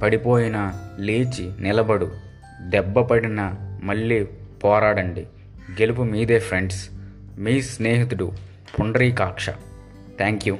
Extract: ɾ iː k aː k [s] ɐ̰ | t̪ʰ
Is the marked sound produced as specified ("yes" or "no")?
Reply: no